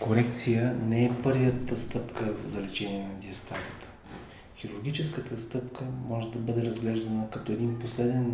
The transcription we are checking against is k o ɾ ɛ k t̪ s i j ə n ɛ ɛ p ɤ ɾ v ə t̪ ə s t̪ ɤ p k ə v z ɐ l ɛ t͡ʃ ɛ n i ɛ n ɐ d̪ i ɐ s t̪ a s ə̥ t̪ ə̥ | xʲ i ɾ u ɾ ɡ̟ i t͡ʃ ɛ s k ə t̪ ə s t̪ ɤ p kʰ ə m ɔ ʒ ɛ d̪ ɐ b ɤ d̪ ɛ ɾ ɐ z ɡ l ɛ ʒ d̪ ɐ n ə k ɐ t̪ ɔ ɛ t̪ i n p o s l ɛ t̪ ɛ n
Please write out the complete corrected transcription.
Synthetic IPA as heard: k o ɾ ɛ k t̪ s i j ə n ɛ ɛ p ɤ ɾ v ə t̪ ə s t̪ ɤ p k ə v z ɐ l ɛ t͡ʃ ɛ n i ɛ n ɐ d̪ i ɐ s t̪ a s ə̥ t̪ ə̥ | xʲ i ɾ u ɾ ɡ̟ i t͡ʃ ɛ s k ə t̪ ə s t̪ ɤ p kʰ ə m ɔ ʒ ɛ d̪ ɐ b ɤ d̪ ɛ ɾ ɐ z ɡ l ɛ ʒ d̪ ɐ n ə k ɐ t̪ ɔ ɛ d̪ i n p o s l ɛ d̪ ɛ n